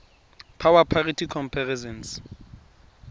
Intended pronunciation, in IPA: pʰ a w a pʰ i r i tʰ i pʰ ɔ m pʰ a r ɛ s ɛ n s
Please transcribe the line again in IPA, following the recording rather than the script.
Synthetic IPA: pʰ a w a pʰ a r i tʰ i kʰ ɔ m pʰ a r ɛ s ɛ n s